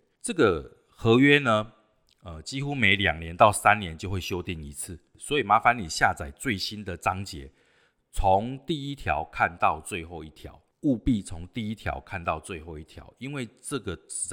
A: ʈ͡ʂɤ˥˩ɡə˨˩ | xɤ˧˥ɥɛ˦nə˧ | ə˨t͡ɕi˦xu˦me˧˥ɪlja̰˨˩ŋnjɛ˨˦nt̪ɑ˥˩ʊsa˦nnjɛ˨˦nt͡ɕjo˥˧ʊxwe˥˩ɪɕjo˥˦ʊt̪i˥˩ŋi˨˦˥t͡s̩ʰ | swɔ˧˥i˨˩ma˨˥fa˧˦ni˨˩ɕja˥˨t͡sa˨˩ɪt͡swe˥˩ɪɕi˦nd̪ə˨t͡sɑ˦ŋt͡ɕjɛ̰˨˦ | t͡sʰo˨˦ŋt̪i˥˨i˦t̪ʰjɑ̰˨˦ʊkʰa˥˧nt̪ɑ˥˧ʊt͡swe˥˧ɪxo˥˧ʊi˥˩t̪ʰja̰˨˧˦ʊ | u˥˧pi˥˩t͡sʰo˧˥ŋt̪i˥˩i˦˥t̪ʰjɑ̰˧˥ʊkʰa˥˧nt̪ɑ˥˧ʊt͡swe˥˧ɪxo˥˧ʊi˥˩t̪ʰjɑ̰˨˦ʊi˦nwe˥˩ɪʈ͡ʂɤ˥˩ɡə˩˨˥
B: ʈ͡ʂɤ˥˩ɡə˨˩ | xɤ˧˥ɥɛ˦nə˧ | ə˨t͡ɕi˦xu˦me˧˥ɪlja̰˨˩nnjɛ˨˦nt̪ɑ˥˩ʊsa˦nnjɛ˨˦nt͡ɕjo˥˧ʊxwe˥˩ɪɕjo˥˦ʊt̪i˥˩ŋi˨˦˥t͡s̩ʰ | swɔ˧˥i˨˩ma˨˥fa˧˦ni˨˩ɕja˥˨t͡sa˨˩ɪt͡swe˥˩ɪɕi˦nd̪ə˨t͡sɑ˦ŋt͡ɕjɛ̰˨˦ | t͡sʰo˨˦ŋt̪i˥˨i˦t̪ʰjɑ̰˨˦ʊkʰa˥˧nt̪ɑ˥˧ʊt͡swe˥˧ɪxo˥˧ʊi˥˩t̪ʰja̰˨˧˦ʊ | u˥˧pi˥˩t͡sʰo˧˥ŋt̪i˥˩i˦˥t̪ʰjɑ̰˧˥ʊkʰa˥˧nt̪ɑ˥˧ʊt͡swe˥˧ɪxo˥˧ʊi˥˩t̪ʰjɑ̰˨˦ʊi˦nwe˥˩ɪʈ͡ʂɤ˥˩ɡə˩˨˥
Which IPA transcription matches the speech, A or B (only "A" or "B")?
A